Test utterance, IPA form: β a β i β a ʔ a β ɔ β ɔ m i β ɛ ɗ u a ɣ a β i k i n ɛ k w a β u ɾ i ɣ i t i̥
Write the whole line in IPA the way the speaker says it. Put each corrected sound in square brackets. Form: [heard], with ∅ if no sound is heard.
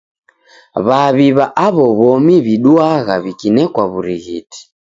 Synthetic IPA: β a β i β a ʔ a β ɔ β ɔ m i β [i] ɗ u a ɣ a β i k i n ɛ k w a β u ɾ i ɣ i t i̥